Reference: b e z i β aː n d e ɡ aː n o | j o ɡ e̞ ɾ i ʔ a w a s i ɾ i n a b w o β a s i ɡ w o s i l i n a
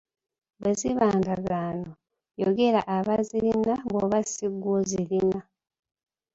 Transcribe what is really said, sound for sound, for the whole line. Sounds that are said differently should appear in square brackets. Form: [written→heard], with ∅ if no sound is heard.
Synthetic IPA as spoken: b e z i β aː n d [e→a] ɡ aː n o | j o ɡ e̞ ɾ [i→a] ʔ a [w→β] a [s→z] i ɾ i n a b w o β a s i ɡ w o [s→z] i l i n a